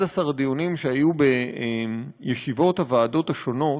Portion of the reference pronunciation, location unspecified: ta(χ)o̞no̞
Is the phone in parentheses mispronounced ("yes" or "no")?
yes